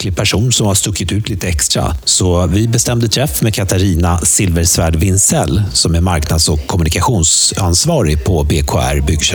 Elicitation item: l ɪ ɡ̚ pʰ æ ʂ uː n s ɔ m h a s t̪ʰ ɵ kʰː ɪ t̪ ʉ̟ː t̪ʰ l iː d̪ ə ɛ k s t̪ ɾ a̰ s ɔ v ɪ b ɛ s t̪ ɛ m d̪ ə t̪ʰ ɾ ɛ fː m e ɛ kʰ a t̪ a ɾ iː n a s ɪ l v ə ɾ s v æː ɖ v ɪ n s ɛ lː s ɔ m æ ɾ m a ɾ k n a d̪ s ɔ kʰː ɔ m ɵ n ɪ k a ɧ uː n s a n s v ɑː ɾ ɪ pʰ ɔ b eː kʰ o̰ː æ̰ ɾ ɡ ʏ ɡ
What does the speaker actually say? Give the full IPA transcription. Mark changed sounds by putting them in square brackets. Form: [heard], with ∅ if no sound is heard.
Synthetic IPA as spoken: l ɪ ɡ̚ pʰ æ ʂ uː n s ɔ m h a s [t̪] ɵ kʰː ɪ t̪ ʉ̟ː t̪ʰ l iː [t̪] ə ɛ k s t̪ ɾ a̰ s ɔ v ɪ b ɛ s t̪ ɛ m d̪ ə t̪ʰ ɾ ɛ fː m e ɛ kʰ a t̪ a ɾ iː n a s ɪ l v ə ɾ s v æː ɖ v ɪ n s ɛ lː s ɔ m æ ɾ m a ɾ k n a d̪ s ɔ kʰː ɔ m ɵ n ɪ k a ɧ uː n s a n s v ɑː ɾ ɪ pʰ ɔ b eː kʰ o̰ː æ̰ ɾ [b] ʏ ɡ